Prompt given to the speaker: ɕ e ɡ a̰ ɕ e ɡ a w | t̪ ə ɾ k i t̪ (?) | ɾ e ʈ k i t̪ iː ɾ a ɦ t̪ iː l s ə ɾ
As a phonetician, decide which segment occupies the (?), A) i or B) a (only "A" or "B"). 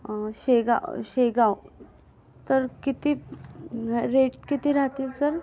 A